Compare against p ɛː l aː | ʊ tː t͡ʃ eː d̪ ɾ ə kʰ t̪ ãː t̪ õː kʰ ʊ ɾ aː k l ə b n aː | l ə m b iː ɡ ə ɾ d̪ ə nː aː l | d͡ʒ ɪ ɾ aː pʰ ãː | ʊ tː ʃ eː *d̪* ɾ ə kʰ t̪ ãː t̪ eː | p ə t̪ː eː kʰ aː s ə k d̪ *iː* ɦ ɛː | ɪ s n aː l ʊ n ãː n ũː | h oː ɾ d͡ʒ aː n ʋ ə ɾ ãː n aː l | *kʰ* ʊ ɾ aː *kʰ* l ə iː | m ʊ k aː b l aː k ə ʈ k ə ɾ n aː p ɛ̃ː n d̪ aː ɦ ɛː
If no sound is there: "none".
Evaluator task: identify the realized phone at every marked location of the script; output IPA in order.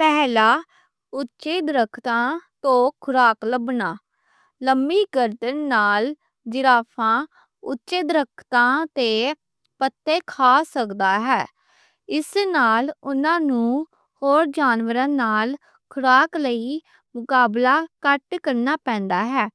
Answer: d̪, aː, kʰ, k

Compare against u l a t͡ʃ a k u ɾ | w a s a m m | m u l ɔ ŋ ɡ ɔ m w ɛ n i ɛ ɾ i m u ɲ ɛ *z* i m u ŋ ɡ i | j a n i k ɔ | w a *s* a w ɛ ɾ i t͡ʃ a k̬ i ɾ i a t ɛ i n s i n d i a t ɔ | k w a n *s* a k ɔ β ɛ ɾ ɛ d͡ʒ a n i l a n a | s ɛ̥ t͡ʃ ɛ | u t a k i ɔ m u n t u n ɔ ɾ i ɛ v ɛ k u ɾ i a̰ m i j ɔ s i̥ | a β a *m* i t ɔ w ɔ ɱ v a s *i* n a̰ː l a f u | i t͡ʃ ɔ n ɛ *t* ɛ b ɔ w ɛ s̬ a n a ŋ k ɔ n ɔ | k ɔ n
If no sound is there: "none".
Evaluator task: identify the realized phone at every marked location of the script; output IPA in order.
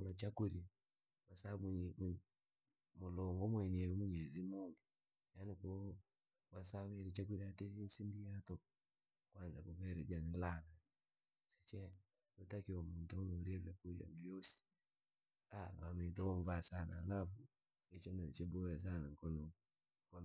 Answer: z, s, z, m, a, t͡ʃ

